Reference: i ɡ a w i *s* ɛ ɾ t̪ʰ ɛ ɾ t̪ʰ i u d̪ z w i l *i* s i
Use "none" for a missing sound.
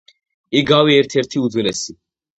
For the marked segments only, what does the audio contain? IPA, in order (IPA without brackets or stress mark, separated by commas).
none, ɛ